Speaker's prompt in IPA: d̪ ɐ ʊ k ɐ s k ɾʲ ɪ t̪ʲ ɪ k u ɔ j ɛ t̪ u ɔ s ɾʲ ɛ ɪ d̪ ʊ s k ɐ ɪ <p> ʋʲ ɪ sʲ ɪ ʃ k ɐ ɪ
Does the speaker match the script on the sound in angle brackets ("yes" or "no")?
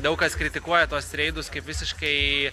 yes